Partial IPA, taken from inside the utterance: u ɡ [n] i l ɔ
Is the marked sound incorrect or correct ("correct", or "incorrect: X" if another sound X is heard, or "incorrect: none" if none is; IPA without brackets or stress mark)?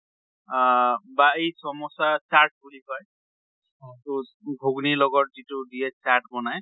correct